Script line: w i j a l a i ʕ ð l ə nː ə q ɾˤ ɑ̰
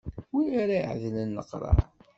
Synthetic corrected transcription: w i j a ɾ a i ʕ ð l ə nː ə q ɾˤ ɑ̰